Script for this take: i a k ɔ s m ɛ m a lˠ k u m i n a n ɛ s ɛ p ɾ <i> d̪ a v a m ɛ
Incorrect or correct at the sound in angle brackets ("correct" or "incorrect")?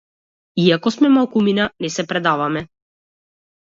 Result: incorrect